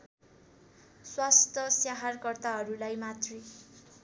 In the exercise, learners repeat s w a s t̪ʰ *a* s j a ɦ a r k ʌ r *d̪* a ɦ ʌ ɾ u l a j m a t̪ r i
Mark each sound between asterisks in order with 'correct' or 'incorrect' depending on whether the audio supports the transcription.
incorrect: ʌ, incorrect: t̪

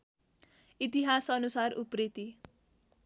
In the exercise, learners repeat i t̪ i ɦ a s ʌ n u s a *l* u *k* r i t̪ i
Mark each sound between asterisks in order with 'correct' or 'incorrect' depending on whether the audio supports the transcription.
incorrect: r, incorrect: p

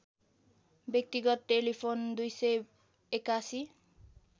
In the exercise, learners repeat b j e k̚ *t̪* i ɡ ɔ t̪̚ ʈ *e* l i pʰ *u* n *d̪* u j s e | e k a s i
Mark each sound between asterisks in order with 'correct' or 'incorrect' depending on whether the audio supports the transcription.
correct, correct, incorrect: o, correct

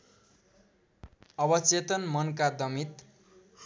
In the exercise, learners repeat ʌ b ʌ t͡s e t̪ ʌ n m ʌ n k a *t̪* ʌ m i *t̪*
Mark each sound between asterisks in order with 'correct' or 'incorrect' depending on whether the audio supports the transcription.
incorrect: d̪, correct

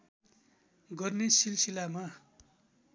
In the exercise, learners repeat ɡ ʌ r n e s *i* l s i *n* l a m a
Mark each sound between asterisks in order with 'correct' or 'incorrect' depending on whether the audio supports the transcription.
correct, incorrect: none

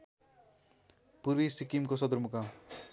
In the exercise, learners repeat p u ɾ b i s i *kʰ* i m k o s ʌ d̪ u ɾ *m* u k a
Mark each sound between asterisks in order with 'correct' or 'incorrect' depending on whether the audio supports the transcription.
incorrect: k, correct

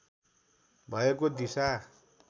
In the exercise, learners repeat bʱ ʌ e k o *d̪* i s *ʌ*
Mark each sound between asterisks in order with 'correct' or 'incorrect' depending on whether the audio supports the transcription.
correct, incorrect: a

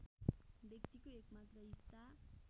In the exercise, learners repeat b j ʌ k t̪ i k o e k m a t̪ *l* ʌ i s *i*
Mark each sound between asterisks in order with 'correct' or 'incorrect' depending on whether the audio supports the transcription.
incorrect: r, incorrect: a

